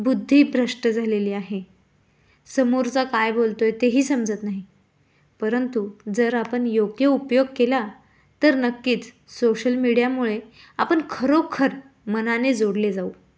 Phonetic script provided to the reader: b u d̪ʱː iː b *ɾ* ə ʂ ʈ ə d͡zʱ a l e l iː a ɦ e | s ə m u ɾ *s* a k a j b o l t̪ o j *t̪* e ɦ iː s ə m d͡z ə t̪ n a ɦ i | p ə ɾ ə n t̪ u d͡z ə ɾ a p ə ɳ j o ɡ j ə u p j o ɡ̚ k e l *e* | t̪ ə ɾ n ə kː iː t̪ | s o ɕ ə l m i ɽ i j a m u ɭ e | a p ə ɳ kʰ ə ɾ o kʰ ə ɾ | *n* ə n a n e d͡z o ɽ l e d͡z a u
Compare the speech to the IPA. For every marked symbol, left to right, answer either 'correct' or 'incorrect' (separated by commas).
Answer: correct, incorrect, correct, incorrect, incorrect